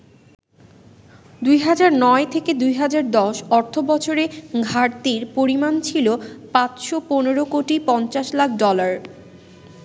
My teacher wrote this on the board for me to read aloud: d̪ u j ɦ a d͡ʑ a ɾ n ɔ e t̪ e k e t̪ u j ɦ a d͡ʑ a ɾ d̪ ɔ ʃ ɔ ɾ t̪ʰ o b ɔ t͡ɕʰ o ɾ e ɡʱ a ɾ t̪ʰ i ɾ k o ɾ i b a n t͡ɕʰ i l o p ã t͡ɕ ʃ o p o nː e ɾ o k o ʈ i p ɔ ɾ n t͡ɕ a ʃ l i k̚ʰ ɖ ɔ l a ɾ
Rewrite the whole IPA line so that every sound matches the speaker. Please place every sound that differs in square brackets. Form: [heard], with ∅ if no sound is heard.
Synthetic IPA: d̪ u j ɦ a d͡ʑ a ɾ n ɔ e [t̪ʰ] e k e [d̪] u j ɦ a d͡ʑ a ɾ d̪ ɔ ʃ ɔ ɾ t̪ʰ o b ɔ t͡ɕʰ o ɾ e ɡʱ a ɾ [t̪] i ɾ [p] o ɾ i [m] a n t͡ɕʰ i l o p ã t͡ɕ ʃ o p o [n] e ɾ o k o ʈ i p ɔ [∅] n t͡ɕ a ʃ l [a] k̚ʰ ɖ ɔ l a ɾ